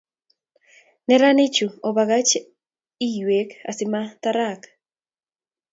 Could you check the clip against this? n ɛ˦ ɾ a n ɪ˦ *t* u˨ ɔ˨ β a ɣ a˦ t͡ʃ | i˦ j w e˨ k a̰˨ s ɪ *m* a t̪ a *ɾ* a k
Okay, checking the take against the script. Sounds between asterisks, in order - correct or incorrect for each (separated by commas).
incorrect, correct, correct